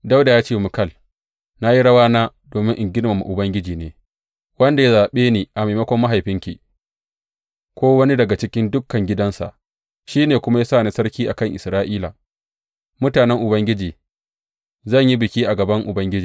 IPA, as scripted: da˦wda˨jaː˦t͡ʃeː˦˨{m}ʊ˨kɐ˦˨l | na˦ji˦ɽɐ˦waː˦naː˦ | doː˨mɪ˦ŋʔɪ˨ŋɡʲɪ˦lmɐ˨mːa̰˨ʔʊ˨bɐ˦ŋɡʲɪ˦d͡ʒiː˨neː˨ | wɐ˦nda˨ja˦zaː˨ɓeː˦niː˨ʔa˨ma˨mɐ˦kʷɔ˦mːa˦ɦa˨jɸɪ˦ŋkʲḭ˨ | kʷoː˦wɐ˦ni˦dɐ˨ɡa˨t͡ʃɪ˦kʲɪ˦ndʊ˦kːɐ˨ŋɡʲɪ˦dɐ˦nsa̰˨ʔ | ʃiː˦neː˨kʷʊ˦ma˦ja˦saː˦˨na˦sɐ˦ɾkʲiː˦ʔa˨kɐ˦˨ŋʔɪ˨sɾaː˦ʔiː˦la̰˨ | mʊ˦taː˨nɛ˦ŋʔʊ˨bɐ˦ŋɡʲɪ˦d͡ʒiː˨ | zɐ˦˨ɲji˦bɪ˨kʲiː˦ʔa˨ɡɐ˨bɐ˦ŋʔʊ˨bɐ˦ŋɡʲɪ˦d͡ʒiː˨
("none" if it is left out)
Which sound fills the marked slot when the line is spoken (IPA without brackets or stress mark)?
m